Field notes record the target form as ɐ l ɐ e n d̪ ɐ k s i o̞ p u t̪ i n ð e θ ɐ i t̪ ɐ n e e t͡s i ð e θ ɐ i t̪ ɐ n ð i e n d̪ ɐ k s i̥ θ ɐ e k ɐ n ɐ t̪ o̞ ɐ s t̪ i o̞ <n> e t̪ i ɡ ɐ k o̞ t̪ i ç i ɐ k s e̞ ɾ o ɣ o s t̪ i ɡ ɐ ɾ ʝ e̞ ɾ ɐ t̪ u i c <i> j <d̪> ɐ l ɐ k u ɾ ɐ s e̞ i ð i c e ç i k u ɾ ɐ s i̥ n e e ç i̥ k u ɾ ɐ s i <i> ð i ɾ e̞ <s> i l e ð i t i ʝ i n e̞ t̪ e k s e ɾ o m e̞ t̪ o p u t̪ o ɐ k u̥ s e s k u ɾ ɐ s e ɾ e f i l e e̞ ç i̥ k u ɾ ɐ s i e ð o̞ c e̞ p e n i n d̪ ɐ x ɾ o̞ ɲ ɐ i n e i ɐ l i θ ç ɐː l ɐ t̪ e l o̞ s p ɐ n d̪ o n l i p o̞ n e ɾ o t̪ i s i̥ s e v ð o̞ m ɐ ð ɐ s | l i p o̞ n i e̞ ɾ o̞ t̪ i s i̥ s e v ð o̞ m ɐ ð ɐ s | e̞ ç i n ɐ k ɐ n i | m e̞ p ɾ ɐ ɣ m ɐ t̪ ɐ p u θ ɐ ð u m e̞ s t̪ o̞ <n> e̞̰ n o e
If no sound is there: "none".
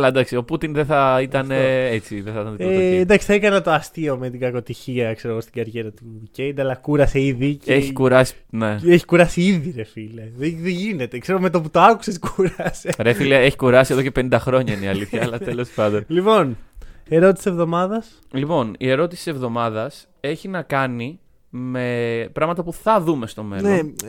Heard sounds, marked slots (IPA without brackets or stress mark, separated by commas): m, e, d̪, i, f, m